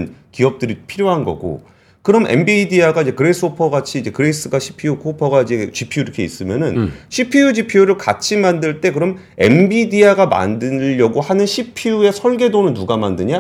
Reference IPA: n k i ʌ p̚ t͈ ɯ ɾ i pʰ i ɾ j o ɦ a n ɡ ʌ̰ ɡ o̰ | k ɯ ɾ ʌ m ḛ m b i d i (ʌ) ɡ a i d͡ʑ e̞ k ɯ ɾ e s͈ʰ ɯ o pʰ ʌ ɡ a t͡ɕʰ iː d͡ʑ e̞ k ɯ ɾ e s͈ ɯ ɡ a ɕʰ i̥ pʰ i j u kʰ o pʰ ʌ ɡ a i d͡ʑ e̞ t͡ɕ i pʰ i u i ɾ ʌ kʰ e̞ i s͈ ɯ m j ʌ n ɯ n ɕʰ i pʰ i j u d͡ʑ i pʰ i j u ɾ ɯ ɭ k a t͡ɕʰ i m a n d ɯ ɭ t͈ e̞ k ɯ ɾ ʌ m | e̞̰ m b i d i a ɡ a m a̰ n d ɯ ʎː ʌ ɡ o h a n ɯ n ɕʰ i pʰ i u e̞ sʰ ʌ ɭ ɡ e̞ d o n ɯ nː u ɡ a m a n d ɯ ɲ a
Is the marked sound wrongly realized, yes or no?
yes